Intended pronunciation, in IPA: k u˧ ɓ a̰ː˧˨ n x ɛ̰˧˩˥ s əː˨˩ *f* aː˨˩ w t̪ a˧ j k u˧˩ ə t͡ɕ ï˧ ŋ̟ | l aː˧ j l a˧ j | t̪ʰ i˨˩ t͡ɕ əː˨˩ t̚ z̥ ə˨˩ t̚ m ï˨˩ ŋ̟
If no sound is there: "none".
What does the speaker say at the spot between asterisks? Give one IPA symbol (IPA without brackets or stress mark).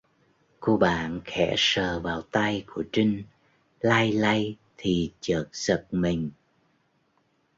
v